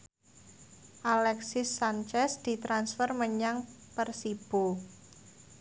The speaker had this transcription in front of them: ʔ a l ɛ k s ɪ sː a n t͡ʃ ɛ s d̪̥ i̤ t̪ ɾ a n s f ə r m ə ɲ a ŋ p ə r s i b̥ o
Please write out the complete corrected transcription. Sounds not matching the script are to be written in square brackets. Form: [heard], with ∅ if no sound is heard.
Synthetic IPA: ʔ a l ɛ k s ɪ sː a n t͡ʃ ɛ s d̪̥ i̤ t̪ ɾ a n s f ə r m ə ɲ a ŋ p ə r s i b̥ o

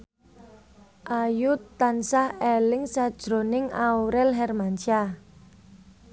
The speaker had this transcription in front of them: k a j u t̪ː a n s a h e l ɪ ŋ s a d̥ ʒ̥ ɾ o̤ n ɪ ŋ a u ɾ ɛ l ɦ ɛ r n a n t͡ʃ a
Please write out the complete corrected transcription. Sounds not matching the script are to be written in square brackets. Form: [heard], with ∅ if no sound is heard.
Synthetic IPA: [ʔ] a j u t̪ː a n s a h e l ɪ ŋ s a d̥ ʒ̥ ɾ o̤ n ɪ ŋ a u ɾ ɛ l ɦ ɛ r [m] a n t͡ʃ a

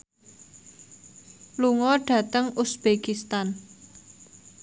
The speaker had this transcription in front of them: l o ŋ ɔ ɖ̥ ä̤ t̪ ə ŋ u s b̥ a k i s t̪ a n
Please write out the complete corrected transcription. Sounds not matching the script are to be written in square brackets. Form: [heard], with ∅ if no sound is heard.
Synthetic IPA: l [u] ŋ ɔ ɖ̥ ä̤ t̪ ə ŋ u s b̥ [e] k i s t̪ a n

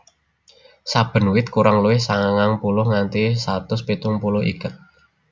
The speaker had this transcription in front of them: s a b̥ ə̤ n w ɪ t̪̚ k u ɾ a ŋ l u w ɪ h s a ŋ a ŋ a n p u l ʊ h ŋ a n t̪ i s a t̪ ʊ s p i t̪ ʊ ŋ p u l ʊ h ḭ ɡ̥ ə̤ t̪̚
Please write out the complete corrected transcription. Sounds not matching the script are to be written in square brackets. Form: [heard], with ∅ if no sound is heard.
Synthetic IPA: s a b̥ ə̤ n w ɪ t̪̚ k u ɾ a ŋ l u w ɪ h s a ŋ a ŋ a [ŋ] p u l ʊ h ŋ a n t̪ i s a t̪ ʊ s p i t̪ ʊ ŋ p u l ʊ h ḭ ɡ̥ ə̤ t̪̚

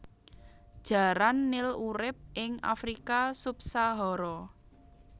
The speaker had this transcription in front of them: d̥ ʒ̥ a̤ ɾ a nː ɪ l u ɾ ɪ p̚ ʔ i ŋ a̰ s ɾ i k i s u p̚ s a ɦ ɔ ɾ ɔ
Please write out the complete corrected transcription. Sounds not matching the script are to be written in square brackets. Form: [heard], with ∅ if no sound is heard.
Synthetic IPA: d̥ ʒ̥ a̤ ɾ a nː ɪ l u ɾ ɪ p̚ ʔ [ɪ] ŋ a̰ [f] ɾ i k [a] s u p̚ s a ɦ ɔ ɾ ɔ

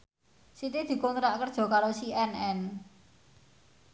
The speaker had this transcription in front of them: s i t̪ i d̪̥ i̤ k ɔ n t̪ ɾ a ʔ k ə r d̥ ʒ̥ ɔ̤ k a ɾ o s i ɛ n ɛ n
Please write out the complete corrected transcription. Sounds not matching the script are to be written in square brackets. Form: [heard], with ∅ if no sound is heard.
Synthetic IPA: s i t̪ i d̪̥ i̤ k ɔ n t̪ ɾ a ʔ k ə r d̥ ʒ̥ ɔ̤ k a ɾ o s i ɛ n ɛ n

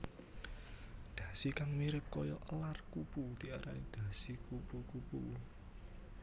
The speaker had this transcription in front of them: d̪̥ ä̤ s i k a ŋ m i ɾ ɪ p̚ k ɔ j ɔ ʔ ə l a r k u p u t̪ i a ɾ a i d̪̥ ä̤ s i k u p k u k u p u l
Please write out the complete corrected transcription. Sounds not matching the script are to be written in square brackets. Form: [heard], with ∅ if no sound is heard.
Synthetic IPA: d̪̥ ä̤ s i k a ŋ m i ɾ ɪ p̚ k ɔ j ɔ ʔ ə l a r k u p u t̪ i a ɾ a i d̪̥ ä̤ s i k u p k u k u p u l

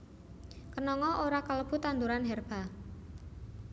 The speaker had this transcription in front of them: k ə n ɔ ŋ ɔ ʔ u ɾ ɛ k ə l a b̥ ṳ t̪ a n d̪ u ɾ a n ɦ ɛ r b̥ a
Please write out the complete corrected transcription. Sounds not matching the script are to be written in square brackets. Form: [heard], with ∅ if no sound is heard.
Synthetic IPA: k ə n ɔ ŋ ɔ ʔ [o] ɾ [a] k ə l [ə] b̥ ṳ t̪ a n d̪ u ɾ a n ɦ ɛ r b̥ a

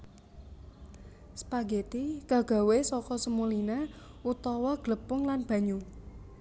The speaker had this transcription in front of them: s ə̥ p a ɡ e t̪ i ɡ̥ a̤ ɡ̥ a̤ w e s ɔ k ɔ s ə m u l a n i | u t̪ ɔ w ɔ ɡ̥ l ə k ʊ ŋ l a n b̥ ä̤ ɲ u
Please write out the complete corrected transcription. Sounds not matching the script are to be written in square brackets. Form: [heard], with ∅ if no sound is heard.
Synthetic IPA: s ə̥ p a ɡ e t̪ i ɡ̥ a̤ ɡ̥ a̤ w e s ɔ k ɔ s ə m u l [i] n [a] | u t̪ ɔ w ɔ ɡ̥ l ə [p] ʊ ŋ l a n b̥ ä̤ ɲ u

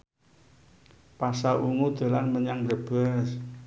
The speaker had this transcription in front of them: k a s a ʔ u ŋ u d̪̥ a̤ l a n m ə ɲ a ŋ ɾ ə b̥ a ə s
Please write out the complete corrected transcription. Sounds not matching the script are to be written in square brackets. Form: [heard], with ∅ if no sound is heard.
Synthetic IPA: [p] a s a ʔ u ŋ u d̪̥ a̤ l a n m ə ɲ a ŋ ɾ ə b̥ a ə s

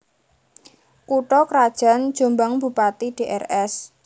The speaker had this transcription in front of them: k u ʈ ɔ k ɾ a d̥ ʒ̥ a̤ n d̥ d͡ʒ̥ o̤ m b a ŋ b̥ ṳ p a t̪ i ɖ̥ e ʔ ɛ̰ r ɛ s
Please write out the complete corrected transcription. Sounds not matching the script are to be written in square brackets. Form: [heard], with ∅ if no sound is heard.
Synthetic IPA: k u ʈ ɔ k ɾ a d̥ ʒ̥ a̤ n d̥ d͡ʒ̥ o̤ m b a ŋ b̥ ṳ p a t̪ i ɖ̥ e ʔ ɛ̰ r ɛ s

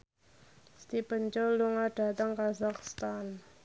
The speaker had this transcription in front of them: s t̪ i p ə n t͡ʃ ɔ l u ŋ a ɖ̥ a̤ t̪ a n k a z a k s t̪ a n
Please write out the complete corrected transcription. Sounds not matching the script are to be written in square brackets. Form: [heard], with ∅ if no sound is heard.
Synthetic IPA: s t̪ i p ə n t͡ʃ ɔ l u ŋ a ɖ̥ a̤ t̪ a [ŋ] k a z a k s t̪ a n

